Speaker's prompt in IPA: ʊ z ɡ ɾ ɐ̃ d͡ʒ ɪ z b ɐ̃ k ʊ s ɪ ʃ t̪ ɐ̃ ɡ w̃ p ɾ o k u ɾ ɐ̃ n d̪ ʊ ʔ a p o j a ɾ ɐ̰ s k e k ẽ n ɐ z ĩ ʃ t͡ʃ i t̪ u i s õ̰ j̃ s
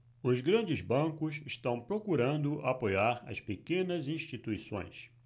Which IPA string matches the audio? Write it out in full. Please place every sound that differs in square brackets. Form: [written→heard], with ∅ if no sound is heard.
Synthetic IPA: ʊ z ɡ ɾ ɐ̃ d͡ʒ ɪ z b ɐ̃ k ʊ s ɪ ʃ t̪ ɐ̃ [ɡ→∅] w̃ p ɾ o k u ɾ ɐ̃ n d̪ ʊ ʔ a p o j a ɾ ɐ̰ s [k→p] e k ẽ n ɐ z ĩ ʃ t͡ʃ i t̪ u i s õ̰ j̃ s